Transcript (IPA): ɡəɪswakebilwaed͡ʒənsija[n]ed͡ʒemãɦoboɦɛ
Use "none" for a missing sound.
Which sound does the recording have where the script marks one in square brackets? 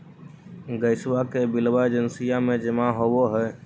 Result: m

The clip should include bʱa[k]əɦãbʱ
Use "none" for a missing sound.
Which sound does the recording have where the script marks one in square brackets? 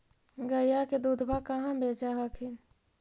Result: k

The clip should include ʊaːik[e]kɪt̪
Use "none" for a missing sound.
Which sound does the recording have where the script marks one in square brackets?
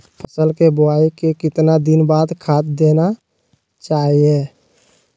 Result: e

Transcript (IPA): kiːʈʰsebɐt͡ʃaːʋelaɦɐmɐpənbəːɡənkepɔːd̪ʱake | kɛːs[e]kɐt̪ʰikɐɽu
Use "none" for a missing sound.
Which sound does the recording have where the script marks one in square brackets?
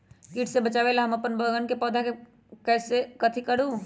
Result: e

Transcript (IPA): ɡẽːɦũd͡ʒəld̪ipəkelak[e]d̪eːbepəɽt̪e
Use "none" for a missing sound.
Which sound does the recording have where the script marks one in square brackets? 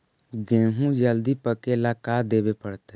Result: a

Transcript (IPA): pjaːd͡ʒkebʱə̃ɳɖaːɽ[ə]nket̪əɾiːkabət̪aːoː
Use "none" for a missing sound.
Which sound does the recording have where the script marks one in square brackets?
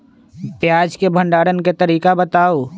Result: ə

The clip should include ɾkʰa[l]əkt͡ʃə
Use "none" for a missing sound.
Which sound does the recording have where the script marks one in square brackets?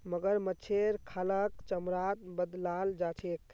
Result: l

